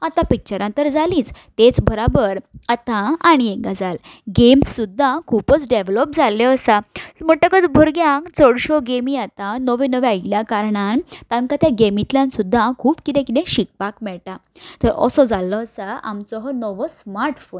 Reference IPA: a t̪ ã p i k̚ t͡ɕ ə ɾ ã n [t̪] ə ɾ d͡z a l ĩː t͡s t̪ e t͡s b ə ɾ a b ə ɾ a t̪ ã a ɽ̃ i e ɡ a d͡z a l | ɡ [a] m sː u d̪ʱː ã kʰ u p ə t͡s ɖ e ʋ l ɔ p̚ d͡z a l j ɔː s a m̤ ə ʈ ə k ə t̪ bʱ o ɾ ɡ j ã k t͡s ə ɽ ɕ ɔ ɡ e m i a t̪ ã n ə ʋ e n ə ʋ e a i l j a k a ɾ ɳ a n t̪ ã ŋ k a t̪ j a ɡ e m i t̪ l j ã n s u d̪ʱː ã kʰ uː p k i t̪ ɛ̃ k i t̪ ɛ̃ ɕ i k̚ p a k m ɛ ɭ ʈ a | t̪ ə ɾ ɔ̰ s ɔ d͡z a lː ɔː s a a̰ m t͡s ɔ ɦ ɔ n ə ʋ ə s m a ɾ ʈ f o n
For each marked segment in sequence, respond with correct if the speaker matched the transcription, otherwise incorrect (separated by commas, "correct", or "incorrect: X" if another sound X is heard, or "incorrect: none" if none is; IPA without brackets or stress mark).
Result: correct, incorrect: e